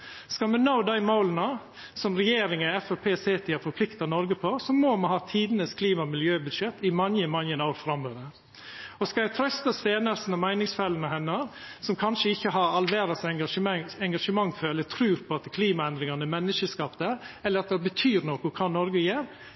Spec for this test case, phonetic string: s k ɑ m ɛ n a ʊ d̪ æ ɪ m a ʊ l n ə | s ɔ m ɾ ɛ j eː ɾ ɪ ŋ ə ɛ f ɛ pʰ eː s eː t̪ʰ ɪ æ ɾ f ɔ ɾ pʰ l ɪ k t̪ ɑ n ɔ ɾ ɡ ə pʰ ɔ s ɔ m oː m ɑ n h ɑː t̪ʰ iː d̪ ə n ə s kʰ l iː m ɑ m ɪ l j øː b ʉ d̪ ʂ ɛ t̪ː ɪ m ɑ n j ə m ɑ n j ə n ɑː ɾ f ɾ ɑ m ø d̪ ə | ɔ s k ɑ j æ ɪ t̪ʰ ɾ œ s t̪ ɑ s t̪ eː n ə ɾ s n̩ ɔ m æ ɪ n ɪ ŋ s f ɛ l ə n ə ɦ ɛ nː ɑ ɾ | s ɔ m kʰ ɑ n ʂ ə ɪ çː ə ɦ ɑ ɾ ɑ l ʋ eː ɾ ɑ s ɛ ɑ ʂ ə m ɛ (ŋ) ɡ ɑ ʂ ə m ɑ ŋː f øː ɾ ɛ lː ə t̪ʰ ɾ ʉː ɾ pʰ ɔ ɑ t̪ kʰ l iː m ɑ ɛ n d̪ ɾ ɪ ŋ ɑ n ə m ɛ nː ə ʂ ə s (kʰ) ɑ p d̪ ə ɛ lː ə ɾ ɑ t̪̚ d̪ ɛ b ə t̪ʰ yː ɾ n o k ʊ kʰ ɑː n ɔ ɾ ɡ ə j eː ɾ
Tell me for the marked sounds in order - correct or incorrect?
correct, incorrect: k

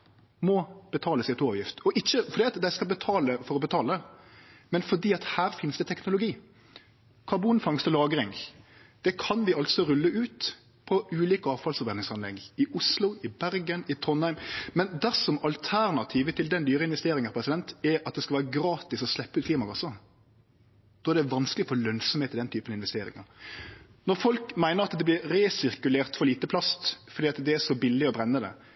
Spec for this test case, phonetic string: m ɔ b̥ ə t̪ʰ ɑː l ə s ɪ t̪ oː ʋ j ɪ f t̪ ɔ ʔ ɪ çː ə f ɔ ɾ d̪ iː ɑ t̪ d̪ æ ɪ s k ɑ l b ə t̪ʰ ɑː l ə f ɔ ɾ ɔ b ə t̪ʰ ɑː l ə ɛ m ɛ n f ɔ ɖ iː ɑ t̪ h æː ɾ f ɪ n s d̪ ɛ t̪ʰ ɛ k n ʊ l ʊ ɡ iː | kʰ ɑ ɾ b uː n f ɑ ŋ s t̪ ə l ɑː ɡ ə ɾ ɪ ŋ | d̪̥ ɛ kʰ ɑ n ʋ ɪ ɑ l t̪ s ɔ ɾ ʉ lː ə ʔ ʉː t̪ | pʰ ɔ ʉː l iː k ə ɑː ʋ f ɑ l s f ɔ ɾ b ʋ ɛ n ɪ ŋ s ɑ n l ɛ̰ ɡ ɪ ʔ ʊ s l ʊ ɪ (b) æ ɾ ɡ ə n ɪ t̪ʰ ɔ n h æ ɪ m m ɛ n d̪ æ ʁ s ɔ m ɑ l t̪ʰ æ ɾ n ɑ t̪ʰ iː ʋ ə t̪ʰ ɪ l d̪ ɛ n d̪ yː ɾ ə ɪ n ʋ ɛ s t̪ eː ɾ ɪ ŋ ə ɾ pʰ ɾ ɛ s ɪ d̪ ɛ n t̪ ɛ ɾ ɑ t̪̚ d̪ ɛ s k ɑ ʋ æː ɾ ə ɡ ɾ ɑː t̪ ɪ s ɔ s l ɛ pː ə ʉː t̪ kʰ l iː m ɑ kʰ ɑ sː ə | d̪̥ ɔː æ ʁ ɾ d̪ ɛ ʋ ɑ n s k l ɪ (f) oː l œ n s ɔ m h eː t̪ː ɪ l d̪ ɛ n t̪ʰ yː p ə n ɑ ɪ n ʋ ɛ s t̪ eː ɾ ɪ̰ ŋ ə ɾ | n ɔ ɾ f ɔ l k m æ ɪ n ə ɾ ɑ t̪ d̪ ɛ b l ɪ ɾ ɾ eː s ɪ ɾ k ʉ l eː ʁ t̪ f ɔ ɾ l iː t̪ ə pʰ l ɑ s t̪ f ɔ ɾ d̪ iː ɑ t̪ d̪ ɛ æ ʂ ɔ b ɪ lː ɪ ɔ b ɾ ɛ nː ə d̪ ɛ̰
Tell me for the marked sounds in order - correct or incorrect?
correct, correct

